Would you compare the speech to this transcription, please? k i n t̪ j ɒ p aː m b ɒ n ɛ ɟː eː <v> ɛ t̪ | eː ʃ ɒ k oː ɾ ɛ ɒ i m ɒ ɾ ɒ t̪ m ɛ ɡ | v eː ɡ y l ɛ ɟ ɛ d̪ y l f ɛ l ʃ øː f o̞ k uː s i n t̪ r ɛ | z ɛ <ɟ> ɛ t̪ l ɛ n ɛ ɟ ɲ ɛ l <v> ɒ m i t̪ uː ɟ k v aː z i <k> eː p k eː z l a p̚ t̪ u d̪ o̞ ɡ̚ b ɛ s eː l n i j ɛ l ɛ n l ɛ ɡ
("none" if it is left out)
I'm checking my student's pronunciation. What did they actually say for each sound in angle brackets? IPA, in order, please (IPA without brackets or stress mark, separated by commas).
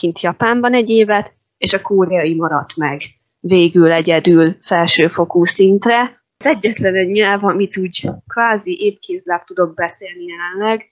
v, ɟː, v, ʔ